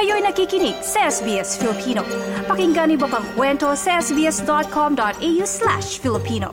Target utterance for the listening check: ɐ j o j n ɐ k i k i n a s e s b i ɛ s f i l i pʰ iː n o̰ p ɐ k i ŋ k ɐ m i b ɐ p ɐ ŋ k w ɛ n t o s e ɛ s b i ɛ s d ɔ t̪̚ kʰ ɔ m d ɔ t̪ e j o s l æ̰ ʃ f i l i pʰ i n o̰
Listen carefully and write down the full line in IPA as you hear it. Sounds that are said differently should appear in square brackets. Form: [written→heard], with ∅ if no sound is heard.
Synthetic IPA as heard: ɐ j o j n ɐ k i k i n [a→i] s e s b i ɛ s f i l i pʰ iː n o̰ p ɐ k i ŋ [k→ɡ] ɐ [m→n] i b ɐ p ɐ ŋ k w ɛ n t o s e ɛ s b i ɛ s d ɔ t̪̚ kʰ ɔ m d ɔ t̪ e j [o→u] s l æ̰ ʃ f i l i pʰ i n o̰